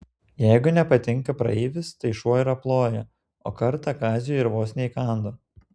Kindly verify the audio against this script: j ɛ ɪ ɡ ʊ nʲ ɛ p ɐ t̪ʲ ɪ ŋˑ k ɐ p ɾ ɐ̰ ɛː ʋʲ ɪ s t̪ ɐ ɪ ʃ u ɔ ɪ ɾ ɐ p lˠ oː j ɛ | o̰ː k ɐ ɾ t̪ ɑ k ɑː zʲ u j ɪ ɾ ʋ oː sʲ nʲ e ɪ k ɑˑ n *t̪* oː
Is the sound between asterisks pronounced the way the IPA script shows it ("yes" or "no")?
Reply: no